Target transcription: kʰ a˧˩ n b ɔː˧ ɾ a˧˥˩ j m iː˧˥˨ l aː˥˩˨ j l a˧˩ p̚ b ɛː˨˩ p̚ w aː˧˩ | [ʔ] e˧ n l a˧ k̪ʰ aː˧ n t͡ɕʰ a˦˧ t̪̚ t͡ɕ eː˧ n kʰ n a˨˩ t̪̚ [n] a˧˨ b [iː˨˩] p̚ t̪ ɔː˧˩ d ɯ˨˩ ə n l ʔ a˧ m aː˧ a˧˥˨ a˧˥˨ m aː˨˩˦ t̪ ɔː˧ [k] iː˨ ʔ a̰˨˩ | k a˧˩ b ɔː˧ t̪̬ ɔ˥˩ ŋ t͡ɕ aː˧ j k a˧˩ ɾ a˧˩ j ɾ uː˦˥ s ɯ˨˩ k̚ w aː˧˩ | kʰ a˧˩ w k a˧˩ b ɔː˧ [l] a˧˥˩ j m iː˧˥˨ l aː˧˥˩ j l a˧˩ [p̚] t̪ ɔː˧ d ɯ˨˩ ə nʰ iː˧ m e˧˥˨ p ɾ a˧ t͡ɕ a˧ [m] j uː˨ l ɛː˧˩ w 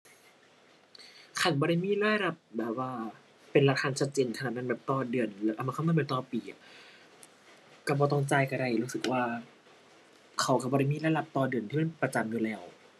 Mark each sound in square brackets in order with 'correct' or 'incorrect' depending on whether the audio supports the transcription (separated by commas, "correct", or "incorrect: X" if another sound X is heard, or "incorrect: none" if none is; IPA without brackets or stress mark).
incorrect: p, correct, incorrect: ɛː˨˩, incorrect: p, incorrect: ɾ, correct, correct